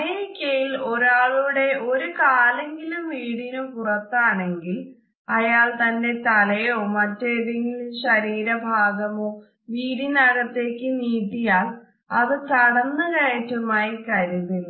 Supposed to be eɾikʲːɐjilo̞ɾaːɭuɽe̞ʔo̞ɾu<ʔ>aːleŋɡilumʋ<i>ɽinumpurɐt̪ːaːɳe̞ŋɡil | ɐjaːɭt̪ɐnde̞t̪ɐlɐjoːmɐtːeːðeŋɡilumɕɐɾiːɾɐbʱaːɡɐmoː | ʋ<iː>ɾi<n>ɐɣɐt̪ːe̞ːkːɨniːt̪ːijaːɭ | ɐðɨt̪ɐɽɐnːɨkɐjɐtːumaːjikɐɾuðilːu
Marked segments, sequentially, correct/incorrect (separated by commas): incorrect, incorrect, correct, correct